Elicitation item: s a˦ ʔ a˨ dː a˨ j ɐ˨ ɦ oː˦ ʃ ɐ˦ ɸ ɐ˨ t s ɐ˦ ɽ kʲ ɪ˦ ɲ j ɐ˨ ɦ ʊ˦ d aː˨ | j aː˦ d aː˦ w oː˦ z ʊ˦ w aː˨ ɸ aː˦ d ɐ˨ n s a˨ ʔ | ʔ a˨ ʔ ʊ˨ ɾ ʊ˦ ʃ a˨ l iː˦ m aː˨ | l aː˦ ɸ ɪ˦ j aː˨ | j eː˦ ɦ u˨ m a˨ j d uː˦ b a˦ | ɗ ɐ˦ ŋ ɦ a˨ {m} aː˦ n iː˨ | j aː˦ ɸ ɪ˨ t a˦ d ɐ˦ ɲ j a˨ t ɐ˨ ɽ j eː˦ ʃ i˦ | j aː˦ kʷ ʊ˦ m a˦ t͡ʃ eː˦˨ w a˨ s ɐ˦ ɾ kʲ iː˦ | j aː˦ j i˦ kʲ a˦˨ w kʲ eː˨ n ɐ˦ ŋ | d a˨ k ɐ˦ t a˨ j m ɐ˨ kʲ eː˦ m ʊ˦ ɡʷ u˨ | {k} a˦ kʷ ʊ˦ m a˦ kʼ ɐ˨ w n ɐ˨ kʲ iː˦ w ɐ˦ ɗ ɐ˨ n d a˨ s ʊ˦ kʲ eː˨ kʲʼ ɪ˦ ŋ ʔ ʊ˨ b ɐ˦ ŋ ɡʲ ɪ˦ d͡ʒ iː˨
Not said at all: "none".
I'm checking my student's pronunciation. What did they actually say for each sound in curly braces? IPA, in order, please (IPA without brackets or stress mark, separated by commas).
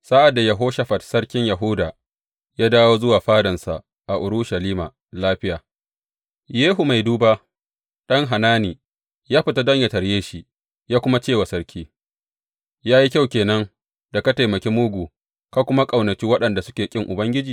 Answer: n, k